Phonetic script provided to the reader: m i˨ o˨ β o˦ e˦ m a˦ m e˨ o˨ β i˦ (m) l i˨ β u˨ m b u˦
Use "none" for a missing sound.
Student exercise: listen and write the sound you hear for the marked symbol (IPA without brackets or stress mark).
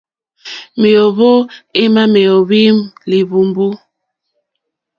m